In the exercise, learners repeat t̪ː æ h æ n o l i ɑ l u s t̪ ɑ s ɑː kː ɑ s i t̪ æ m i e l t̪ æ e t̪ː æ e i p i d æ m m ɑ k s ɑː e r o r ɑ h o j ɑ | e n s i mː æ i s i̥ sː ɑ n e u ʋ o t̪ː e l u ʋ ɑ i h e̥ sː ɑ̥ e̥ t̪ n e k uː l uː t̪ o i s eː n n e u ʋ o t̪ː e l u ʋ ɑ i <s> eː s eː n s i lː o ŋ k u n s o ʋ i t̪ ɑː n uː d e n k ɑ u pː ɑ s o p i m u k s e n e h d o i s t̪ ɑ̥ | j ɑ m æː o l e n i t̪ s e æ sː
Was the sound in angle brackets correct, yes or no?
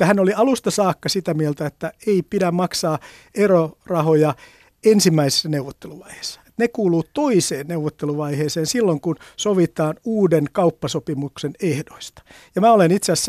no